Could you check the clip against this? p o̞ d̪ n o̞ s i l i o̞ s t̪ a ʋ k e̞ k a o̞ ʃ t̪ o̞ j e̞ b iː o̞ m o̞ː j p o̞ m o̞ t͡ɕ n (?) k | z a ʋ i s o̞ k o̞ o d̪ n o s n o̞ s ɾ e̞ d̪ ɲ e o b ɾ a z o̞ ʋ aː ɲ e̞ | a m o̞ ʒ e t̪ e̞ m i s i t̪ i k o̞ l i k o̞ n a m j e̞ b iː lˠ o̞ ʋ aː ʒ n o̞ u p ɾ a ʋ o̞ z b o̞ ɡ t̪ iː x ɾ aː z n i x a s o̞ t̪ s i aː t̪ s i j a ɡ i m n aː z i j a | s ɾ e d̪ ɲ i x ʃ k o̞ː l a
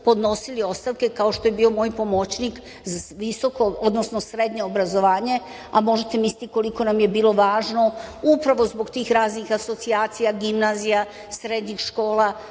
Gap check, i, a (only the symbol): i